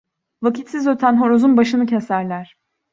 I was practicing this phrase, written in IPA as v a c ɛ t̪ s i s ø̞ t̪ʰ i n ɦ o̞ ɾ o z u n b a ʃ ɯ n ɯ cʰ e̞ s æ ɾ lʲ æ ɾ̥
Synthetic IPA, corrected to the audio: v a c i t̪ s i z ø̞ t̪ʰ æ n ɦ o̞ ɾ o z u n b a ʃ ɯ n ɯ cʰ e̞ s æ ɾ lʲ æ ɾ̥